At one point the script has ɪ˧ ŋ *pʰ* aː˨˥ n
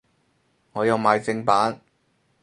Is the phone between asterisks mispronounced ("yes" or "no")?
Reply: yes